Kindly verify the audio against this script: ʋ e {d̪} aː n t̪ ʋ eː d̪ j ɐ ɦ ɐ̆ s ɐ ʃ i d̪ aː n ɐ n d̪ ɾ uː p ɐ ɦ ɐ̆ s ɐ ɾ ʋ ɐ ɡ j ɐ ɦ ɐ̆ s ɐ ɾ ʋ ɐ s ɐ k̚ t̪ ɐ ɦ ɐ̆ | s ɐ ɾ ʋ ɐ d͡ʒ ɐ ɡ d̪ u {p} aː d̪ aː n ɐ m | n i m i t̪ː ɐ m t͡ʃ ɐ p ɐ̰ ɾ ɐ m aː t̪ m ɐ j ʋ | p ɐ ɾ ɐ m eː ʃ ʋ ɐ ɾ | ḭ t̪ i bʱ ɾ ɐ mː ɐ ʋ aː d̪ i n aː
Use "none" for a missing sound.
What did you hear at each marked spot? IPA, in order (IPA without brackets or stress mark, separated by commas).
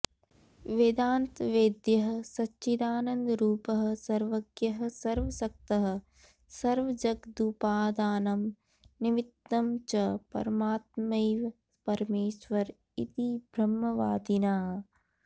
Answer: d̪, p